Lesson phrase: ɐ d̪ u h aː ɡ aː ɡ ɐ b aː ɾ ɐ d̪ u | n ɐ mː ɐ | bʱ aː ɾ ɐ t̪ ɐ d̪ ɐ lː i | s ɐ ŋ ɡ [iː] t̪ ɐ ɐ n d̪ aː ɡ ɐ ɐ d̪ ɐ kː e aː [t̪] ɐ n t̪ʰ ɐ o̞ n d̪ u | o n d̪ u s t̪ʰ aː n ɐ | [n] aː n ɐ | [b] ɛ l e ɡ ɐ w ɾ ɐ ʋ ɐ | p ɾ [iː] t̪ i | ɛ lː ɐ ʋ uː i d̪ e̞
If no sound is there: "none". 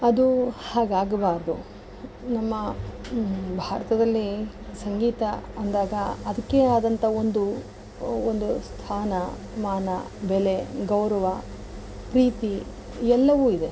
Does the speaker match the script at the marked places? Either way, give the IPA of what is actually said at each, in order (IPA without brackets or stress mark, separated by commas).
iː, d̪, m, b, iː